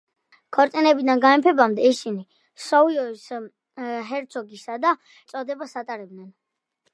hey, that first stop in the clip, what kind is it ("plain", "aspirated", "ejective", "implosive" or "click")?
aspirated